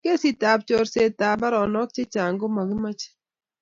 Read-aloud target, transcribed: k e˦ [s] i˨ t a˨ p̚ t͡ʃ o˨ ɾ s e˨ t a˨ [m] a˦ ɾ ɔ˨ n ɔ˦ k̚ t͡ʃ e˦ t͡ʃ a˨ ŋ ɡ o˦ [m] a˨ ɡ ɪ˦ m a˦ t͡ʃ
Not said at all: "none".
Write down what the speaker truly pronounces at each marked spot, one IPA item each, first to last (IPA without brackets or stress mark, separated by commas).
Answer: s, b, m